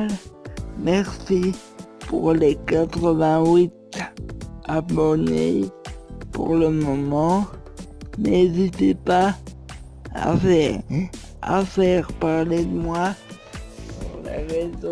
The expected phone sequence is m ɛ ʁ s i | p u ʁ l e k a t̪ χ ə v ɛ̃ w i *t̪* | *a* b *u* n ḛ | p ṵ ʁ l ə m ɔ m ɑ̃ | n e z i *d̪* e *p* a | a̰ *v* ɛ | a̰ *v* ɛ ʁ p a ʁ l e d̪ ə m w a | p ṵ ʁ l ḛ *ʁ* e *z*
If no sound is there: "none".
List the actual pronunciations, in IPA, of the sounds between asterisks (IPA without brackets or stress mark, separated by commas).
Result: t̪, a, ɔ, t̪, p, f, f, ʁ, z